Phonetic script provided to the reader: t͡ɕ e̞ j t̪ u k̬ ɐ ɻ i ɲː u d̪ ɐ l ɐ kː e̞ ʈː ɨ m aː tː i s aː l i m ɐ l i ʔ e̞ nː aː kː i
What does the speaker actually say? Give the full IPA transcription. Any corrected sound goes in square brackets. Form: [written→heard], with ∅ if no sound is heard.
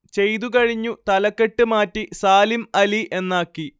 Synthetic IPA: t͡ɕ e̞ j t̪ u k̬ ɐ ɻ i ɲː u [d̪→t̪] ɐ l ɐ kː e̞ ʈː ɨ m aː tː i s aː l i m ɐ l i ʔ e̞ nː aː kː i